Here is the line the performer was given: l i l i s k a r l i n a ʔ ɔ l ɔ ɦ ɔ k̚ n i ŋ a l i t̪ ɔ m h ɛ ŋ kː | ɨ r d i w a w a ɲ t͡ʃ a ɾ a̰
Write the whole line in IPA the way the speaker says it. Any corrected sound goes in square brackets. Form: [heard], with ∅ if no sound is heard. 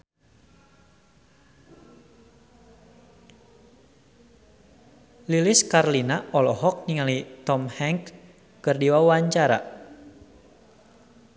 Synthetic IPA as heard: l i l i s k a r l i n a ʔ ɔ l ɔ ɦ ɔ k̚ n i ŋ a l i t̪ ɔ m h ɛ ŋ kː | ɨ r d i w a w a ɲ t͡ʃ a ɾ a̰